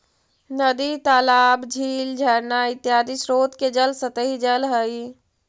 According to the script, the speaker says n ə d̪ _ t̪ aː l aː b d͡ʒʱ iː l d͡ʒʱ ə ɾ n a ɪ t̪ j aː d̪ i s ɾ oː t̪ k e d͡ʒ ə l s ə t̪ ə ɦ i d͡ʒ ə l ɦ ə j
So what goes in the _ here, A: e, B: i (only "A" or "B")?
B